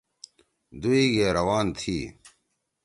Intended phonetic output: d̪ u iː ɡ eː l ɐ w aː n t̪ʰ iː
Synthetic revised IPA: d̪ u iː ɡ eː ɾ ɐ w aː n t̪ʰ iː

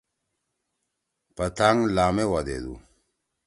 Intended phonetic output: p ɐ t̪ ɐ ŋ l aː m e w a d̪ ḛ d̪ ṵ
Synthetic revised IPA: p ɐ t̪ a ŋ l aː m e w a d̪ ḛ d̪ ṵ

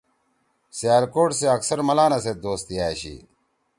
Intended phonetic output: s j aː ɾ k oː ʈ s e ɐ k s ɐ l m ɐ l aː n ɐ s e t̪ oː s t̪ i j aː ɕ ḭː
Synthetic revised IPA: s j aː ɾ k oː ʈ s e ɐ k s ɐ ɾ m ɐ l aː n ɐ s e d̪ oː s t̪ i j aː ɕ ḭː

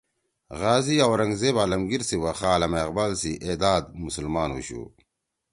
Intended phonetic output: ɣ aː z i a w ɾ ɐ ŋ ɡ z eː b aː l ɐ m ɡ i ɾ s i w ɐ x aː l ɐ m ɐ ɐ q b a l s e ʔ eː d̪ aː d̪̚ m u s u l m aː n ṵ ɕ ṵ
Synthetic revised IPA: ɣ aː z i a w ɾ ɐ ŋ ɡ z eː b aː l ɐ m ɡ i ɾ s i w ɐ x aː l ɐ m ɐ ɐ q b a l s i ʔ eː d̪ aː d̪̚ m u s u l m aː n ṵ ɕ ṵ

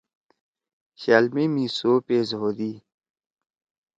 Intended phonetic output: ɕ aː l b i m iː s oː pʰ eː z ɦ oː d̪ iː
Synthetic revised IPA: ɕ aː l m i m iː s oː p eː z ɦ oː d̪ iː

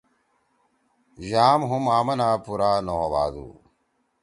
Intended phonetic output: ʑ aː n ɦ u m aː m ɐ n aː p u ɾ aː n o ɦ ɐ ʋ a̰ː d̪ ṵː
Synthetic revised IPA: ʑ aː m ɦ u m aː m ɐ n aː p u ɾ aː n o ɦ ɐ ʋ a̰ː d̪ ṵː

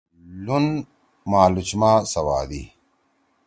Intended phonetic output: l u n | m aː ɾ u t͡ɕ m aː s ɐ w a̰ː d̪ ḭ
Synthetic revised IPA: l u n | m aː l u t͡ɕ m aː s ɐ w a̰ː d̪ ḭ

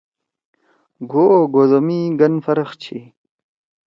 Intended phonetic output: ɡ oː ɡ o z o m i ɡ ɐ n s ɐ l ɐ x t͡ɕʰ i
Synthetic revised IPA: ɡ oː ɡ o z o m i ɡ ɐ n f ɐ ɾ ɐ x t͡ɕʰ i

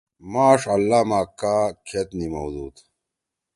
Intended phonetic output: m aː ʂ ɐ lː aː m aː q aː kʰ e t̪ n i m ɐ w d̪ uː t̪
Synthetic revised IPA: m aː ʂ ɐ lː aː m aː k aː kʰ e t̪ n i m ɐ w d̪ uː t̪

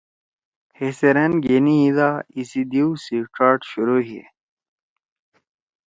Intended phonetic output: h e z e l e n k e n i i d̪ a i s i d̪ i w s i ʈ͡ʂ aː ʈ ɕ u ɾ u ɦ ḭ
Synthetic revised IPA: h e s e ɾ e n ɡ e n i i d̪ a i s i d̪ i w s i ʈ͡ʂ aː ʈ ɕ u ɾ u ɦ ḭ

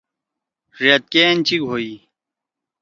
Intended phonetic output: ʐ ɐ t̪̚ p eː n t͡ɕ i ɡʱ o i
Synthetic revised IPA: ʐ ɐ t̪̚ k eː n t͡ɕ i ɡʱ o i

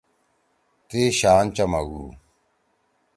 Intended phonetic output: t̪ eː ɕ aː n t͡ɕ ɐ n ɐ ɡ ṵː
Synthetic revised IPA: t̪ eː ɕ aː n t͡ɕ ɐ m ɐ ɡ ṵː

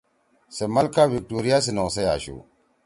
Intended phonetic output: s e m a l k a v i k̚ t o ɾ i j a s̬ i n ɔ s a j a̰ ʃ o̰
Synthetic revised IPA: s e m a l k a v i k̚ t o ɾ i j a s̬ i n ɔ s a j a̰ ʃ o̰

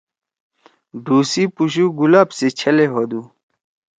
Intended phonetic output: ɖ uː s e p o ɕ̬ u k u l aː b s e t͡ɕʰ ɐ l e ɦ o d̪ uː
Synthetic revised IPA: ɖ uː s i p u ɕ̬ u ɡ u l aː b s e t͡ɕʰ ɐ l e ɦ o d̪ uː

